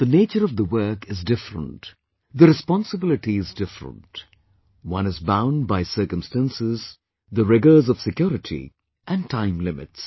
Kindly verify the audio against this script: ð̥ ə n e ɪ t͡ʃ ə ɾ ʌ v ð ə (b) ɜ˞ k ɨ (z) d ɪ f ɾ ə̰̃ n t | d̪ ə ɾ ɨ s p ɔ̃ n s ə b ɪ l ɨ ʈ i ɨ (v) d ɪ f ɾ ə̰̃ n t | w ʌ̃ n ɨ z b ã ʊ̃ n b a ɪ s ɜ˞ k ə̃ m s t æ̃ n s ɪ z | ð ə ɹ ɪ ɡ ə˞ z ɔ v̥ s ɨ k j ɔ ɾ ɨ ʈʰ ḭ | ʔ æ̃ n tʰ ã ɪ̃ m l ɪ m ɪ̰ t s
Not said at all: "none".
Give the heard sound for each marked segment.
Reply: w, z, z

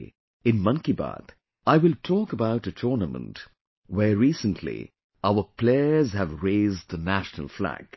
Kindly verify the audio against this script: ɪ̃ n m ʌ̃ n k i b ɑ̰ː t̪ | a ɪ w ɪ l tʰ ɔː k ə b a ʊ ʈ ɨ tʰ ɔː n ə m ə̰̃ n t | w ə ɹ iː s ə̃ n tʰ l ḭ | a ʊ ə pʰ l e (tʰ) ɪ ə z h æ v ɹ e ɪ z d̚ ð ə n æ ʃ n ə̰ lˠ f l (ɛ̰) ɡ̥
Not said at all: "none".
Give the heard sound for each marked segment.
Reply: none, æ̰

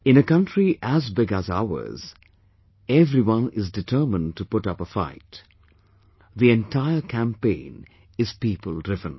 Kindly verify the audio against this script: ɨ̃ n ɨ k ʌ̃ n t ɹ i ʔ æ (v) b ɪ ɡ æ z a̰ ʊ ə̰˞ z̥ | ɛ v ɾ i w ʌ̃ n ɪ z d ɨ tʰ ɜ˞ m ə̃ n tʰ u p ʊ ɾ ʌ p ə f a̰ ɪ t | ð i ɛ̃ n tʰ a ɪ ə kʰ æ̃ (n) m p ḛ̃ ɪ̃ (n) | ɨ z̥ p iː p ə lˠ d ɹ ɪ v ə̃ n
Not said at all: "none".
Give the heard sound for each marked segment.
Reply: z, none, n

